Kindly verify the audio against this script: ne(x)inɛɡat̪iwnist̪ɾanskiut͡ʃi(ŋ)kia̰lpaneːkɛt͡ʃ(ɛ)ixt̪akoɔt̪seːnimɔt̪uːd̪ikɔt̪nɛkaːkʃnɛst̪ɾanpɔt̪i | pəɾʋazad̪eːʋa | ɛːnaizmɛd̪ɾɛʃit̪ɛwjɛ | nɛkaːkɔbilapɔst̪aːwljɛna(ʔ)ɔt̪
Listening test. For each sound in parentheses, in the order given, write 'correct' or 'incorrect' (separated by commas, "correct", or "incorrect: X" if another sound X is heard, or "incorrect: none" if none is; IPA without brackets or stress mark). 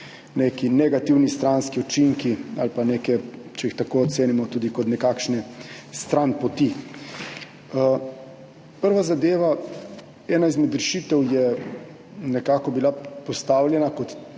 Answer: incorrect: k, correct, correct, incorrect: k